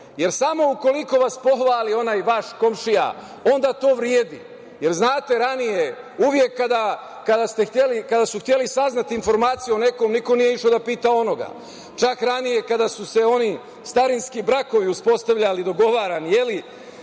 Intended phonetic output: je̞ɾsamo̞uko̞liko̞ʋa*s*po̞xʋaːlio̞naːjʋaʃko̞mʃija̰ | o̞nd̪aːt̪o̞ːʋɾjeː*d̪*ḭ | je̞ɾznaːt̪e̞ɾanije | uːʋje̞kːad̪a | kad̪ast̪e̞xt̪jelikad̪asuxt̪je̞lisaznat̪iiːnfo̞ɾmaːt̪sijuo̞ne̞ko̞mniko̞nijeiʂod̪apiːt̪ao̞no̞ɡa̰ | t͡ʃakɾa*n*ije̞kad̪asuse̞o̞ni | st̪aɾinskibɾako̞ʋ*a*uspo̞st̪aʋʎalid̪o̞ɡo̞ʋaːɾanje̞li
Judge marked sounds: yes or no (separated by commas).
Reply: yes, yes, yes, no